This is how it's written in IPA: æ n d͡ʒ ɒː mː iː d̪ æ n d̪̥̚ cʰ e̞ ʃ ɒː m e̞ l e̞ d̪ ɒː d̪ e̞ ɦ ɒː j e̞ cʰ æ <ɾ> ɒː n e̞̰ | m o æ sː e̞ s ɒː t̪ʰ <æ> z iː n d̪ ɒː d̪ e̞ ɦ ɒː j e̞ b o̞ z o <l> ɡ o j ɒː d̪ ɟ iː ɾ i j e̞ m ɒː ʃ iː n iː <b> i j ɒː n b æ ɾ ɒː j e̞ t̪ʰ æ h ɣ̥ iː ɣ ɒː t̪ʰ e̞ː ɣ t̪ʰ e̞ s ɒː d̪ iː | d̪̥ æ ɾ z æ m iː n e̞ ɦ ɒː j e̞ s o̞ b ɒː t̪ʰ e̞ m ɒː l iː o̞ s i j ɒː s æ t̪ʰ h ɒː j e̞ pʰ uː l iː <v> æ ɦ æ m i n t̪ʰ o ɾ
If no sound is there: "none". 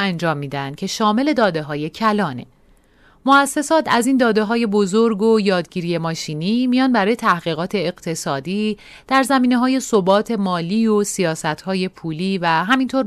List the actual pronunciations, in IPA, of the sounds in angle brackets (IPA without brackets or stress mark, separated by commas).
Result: l, æ, ɾ, m, v